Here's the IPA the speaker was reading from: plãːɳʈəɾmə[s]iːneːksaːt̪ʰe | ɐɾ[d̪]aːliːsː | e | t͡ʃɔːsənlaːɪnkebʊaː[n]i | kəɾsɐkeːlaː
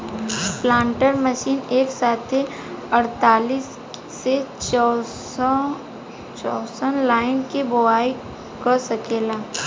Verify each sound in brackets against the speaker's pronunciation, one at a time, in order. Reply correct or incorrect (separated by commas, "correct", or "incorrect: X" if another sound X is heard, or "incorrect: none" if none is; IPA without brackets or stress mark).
incorrect: ʃ, incorrect: t̪, incorrect: none